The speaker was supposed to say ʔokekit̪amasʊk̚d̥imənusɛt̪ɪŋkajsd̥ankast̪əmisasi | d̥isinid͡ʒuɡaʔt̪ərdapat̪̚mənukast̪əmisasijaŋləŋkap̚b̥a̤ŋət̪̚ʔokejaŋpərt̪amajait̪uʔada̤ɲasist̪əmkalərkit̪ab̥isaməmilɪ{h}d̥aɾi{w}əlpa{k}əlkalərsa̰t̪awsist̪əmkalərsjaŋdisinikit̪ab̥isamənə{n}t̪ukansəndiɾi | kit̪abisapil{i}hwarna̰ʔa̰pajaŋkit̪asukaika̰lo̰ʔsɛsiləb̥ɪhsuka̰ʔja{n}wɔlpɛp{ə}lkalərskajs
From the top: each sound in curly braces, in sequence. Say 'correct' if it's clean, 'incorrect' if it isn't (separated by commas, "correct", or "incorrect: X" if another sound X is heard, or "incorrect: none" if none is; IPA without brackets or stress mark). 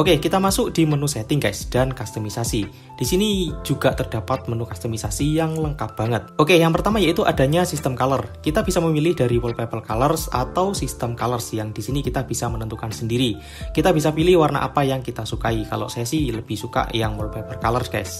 correct, correct, incorrect: p, correct, incorrect: ɪ, incorrect: ŋ, correct